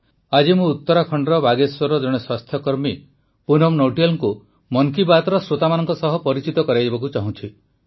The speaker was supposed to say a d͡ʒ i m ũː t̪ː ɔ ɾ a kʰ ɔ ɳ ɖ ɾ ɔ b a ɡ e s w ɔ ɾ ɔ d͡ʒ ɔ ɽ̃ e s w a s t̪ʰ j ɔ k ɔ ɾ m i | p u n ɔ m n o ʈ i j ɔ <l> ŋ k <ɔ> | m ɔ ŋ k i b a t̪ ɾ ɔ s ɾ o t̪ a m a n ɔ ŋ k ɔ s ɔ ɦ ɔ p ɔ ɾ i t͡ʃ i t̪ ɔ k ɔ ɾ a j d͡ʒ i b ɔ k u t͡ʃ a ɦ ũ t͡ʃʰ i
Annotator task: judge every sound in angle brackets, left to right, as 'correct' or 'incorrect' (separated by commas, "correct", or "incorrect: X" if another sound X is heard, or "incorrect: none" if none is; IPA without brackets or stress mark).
correct, incorrect: u